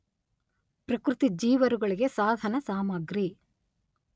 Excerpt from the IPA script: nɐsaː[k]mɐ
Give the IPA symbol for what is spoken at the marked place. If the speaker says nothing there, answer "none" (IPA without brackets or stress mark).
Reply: none